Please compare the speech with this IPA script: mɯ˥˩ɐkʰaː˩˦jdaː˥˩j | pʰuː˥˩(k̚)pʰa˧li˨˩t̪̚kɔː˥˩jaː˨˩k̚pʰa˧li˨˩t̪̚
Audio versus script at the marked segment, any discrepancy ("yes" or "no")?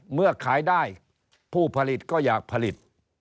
yes